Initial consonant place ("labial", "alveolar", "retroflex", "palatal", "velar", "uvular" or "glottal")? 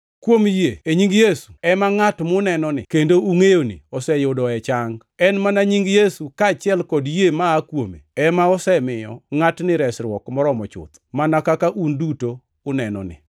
velar